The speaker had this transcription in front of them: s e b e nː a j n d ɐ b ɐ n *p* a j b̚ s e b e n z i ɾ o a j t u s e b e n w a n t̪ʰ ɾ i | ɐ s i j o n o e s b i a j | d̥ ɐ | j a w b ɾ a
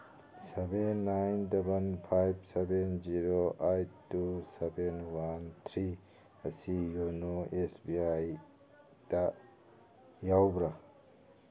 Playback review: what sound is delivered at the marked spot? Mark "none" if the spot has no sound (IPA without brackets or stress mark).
pʰ